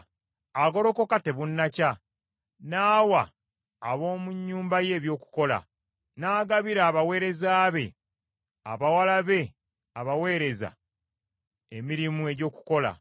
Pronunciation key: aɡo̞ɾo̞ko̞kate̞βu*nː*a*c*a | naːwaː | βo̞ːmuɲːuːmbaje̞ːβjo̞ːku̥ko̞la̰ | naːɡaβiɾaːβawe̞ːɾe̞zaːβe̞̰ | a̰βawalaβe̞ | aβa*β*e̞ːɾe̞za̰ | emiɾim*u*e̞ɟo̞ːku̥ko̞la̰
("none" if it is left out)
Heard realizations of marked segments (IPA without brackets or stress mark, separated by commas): nː, c, w, u